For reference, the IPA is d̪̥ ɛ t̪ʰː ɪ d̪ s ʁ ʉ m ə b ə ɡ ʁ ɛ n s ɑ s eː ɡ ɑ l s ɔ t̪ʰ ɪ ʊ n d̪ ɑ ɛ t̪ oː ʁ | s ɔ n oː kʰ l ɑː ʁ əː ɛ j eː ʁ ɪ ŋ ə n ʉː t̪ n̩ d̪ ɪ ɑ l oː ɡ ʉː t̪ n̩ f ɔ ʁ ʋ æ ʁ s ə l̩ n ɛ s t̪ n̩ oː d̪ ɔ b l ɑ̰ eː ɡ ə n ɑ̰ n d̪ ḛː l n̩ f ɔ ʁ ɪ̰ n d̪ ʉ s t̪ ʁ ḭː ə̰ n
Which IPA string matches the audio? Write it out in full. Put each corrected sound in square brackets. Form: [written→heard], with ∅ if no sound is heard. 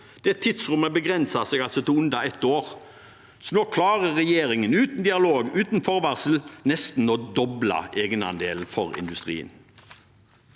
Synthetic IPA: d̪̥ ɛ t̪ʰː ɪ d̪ s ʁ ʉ m ə b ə ɡ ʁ ɛ n s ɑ s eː ɡ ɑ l s ɔ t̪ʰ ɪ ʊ n d̪ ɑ ɛ t̪ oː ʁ | s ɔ n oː kʰ l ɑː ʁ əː ɛ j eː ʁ ɪ ŋ ə n ʉː t̪ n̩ d̪ ɪ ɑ l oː ɡ ʉː t̪ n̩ f ɔ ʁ ʋ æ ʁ s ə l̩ n ɛ s t̪ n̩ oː d̪ ɔ b l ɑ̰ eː ɡ ə n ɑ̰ n d̪ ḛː l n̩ f ɔ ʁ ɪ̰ n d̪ ʉ s t̪ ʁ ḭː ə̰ n